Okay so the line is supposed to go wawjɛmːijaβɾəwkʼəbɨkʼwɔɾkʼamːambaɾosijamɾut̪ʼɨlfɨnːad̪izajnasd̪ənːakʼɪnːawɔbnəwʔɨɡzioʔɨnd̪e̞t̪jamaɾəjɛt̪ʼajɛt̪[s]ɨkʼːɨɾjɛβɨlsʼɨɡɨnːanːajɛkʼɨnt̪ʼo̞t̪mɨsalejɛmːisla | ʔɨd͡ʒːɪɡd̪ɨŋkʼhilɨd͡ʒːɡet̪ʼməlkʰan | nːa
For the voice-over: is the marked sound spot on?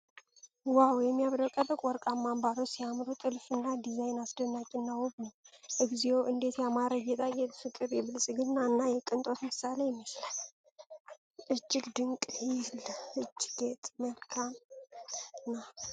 no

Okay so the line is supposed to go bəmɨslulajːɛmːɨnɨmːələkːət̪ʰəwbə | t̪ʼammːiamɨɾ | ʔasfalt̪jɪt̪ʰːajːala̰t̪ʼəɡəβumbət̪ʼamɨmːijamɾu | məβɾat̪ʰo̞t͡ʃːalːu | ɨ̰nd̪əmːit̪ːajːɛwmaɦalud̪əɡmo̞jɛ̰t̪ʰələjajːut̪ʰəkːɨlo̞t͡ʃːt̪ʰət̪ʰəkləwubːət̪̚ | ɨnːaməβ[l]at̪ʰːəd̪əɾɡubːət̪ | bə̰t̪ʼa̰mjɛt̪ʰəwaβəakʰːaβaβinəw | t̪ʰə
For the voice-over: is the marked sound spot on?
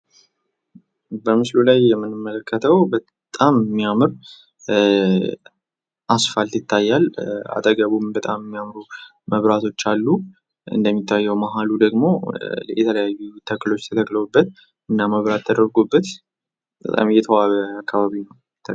no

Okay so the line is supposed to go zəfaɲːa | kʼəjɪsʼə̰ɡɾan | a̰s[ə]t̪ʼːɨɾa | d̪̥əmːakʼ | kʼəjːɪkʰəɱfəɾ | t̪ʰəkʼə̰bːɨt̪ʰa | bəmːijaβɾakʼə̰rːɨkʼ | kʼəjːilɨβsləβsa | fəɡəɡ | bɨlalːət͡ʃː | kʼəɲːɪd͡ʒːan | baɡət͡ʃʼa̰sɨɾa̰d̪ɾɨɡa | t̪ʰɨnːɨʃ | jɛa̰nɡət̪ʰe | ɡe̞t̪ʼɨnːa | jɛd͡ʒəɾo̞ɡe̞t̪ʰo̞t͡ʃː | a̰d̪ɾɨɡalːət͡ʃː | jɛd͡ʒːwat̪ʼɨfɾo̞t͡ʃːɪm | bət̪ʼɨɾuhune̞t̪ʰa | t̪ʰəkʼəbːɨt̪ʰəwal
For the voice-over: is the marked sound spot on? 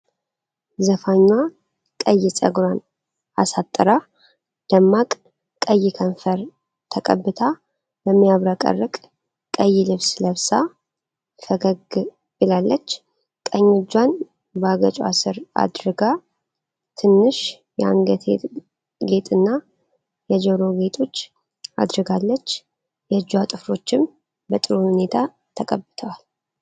no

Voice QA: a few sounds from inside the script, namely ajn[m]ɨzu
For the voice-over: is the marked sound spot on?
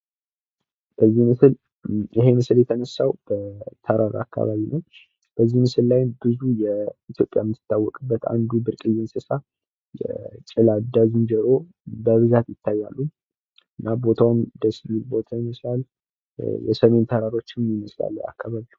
no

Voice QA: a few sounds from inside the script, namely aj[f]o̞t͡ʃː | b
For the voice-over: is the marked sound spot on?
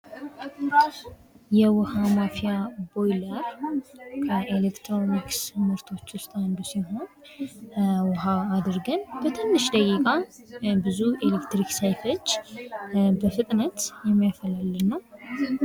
yes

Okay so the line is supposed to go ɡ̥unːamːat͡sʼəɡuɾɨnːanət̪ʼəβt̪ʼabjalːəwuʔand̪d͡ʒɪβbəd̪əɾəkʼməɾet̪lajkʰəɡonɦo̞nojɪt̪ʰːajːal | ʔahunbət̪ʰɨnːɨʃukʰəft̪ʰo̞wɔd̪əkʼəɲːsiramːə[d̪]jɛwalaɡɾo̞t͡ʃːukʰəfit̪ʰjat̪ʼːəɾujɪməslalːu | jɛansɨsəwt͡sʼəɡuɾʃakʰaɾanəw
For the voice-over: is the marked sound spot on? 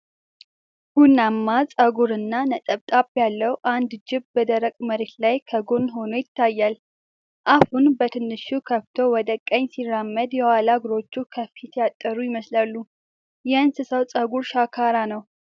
yes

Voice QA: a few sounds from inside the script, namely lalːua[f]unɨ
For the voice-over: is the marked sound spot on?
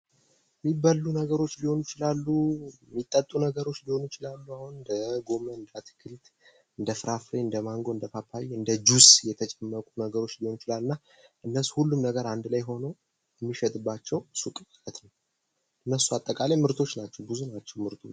no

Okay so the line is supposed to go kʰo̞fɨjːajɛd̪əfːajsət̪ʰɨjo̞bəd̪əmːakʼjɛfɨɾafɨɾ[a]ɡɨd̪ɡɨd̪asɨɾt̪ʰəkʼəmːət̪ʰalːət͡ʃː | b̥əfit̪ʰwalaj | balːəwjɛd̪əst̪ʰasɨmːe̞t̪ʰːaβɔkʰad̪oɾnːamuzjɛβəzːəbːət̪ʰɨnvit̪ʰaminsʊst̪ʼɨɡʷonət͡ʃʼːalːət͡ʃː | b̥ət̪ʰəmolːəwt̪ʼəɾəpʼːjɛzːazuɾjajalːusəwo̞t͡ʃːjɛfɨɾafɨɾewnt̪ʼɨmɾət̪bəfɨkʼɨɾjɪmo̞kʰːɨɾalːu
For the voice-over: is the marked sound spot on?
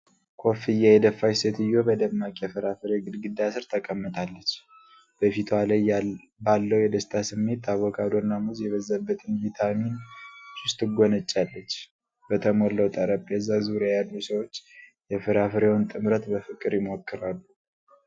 no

